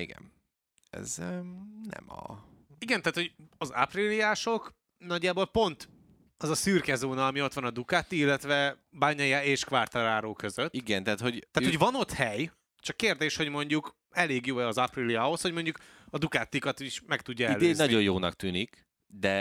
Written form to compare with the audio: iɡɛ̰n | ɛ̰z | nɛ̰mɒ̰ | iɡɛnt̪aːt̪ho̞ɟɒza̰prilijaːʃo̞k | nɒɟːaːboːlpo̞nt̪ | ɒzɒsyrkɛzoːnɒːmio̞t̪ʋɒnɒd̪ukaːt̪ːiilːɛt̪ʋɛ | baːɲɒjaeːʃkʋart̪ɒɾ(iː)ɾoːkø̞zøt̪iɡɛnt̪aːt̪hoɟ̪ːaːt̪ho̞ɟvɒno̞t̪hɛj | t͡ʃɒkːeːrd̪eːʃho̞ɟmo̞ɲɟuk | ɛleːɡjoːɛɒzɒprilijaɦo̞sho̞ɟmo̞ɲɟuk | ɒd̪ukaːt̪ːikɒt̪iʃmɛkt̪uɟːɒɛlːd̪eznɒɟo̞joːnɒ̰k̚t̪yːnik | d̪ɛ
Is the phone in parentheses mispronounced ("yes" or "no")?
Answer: yes